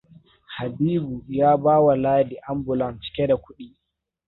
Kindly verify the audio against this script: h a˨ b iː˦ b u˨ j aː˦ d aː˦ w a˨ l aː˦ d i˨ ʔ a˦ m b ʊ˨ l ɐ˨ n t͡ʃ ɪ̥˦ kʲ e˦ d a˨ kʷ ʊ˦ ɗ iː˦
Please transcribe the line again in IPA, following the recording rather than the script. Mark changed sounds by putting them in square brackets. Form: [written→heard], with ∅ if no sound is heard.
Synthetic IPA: h a˨ b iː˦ b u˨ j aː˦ [d→b] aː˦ w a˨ l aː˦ d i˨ ʔ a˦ m b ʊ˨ l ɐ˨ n t͡ʃ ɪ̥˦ kʲ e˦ d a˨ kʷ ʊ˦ ɗ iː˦